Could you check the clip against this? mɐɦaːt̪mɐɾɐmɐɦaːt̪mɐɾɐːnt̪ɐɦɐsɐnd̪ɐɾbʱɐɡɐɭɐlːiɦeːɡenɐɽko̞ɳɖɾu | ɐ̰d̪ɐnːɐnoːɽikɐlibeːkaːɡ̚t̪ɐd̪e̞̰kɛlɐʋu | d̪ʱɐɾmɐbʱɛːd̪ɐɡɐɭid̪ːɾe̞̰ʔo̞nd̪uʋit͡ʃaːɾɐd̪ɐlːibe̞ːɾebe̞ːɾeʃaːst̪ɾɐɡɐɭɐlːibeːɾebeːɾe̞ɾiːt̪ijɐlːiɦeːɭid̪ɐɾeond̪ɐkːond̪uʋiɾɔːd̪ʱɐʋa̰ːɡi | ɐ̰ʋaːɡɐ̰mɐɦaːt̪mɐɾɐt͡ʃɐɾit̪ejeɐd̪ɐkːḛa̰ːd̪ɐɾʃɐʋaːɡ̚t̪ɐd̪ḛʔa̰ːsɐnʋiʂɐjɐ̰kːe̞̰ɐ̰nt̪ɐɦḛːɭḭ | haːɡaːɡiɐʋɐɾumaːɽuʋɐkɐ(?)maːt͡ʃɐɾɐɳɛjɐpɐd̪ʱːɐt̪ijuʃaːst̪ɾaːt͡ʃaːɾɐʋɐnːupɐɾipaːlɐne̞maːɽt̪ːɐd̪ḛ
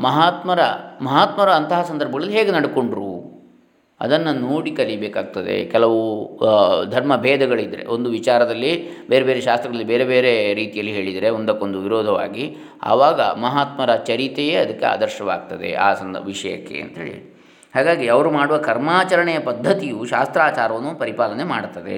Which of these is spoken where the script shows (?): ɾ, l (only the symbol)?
ɾ